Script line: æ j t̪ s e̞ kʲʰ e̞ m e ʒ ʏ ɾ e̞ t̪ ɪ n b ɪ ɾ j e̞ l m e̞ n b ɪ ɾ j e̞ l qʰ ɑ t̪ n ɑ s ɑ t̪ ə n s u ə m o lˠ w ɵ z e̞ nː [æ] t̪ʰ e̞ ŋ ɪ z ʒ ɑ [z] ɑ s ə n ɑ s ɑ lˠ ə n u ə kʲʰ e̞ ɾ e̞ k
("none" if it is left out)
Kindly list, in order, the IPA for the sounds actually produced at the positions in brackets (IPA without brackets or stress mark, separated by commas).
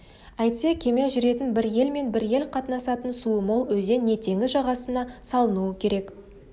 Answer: e, ʁ